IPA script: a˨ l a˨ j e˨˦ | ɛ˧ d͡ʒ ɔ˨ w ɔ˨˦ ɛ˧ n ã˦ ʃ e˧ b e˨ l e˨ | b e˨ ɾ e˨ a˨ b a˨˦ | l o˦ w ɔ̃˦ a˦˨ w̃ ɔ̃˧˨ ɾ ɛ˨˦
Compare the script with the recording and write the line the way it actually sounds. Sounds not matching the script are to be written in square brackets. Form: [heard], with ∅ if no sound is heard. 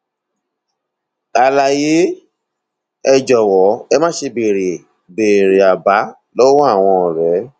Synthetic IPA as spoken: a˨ l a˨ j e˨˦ | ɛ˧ d͡ʒ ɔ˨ w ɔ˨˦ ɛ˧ [m] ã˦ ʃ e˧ b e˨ [ɾ] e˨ | b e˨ ɾ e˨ a˨ b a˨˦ | l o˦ w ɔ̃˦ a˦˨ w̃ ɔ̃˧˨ ɾ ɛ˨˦